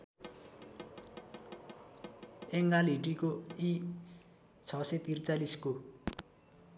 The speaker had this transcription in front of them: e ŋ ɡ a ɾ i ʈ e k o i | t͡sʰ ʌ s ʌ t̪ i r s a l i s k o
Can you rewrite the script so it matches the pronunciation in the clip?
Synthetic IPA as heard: e ŋ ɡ a l i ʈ i k o i | t͡sʰ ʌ s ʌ t̪ i r t͡s a l i s k o